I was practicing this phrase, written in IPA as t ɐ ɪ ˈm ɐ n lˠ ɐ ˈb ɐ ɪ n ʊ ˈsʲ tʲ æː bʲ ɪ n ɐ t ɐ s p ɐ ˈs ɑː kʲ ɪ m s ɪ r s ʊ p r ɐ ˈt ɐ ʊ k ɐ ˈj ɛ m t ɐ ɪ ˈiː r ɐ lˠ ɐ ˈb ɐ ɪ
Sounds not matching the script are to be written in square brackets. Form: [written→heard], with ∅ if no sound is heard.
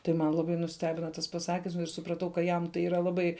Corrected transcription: t ɐ ɪ ˈm ɐ n lˠ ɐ ˈb ɐ ɪ n ʊ ˈsʲ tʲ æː bʲ ɪ n ɐ t ɐ s p ɐ ˈs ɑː kʲ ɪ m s ɪ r s ʊ p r ɐ ˈt ɐ ʊ k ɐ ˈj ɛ m t ɐ ɪ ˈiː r ɐ lˠ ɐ ˈb ɐ ɪ